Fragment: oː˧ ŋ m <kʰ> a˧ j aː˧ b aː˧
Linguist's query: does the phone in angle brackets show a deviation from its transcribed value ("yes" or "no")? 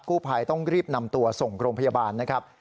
yes